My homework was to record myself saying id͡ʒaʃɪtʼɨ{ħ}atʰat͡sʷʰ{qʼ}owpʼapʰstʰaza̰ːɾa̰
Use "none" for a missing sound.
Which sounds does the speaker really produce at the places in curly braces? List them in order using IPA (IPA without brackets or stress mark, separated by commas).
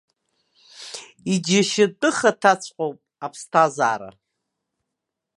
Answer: χ, qʼ